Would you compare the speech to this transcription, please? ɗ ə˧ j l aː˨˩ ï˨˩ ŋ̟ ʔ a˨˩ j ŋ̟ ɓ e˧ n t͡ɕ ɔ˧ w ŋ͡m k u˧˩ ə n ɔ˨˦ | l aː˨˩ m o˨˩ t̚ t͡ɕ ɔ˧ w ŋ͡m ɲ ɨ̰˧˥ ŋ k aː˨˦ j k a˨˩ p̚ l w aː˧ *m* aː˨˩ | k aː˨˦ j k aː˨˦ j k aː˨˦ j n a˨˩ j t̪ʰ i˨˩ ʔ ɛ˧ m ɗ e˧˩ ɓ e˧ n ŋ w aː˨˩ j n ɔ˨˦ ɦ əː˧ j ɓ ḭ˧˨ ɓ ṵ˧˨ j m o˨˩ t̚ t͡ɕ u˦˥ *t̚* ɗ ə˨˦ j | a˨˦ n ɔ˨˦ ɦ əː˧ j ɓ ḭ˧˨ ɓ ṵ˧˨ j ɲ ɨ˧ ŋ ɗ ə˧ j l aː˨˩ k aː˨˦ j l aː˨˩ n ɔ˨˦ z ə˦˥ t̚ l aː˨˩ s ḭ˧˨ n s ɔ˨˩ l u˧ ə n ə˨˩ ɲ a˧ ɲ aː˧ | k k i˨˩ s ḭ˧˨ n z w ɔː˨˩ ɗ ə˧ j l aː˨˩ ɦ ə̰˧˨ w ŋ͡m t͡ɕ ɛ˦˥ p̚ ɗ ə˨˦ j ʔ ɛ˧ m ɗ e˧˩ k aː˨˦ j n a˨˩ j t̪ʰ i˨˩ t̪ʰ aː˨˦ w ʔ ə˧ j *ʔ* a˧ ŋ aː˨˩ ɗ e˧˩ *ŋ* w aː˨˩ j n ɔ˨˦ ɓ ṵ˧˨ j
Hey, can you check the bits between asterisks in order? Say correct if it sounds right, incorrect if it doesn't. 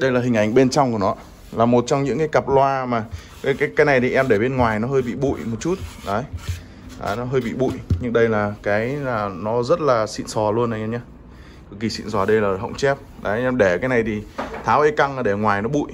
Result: correct, correct, incorrect: k, correct

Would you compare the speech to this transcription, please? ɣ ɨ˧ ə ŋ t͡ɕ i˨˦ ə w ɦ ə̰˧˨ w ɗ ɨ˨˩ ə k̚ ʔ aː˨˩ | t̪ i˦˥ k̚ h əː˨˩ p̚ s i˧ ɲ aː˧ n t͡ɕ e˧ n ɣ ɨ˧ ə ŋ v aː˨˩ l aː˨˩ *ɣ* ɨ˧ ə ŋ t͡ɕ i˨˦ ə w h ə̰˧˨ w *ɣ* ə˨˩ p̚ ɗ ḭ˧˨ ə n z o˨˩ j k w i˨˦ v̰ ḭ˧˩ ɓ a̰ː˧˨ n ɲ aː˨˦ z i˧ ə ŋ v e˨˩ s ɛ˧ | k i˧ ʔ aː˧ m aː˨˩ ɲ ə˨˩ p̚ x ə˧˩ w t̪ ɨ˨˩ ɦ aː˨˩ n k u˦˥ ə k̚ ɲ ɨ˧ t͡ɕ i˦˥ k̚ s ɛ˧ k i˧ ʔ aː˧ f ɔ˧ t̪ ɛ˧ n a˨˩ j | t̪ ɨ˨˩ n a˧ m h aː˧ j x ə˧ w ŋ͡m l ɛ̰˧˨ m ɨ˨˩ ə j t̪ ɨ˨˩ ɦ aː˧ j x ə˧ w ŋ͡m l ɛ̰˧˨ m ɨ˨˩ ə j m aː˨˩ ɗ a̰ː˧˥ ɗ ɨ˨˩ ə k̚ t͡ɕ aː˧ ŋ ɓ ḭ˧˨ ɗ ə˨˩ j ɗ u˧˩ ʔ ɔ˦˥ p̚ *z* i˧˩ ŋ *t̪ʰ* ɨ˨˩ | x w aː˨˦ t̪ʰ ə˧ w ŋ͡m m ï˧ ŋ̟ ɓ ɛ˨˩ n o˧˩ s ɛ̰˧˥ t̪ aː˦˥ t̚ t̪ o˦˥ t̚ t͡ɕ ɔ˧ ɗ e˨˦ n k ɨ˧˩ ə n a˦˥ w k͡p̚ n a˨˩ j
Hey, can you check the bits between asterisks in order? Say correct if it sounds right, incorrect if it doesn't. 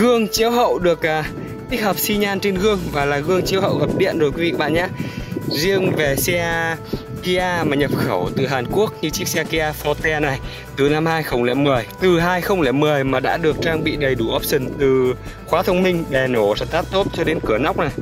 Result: correct, correct, incorrect: s, incorrect: t̪

